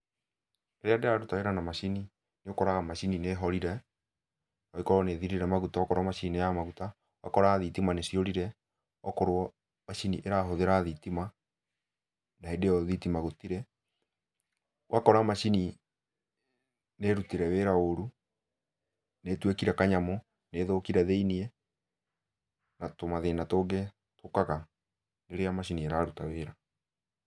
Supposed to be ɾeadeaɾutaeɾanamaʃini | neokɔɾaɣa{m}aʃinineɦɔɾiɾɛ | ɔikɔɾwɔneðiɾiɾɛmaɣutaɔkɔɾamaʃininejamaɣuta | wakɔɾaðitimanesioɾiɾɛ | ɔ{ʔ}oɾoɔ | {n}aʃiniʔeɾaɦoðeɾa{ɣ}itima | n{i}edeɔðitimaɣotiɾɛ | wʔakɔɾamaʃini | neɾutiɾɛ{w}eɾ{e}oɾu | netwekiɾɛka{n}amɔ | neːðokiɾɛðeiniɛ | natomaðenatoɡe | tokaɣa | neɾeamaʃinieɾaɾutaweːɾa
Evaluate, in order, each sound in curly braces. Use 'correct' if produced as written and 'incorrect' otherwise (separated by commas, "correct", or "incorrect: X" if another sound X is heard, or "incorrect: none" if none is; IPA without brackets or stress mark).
correct, incorrect: k, incorrect: m, incorrect: ð, incorrect: a, correct, incorrect: a, incorrect: ɲ